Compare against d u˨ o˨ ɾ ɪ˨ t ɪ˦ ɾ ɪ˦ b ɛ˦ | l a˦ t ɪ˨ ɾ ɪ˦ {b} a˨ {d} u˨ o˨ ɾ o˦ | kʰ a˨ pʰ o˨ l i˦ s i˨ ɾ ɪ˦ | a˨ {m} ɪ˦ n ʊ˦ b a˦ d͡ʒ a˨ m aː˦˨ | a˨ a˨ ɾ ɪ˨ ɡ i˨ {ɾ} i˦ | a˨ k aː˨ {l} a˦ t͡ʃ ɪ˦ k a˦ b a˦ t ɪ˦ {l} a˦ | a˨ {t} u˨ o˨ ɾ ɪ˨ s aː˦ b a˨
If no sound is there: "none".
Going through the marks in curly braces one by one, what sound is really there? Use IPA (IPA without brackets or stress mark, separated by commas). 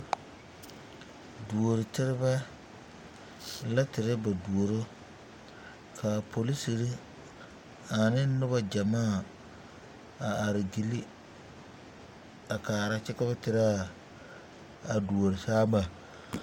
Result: b, d, n, l, ɾ, ɾ, d